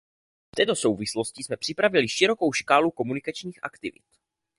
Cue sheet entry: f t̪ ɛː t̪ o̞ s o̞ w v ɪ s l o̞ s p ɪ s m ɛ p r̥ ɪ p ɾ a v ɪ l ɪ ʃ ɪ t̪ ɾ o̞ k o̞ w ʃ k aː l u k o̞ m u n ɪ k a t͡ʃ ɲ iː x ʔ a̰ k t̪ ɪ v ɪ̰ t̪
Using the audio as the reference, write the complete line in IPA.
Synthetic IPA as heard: f t̪ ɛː t̪ o̞ s o̞ w v ɪ s l o̞ s c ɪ s m ɛ p r̥ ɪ p ɾ a v ɪ l ɪ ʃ ɪ ɾ o̞ k o̞ w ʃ k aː l u k o̞ m u n ɪ k a t͡ʃ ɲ iː x ʔ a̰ k t̪ ɪ v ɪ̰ t̪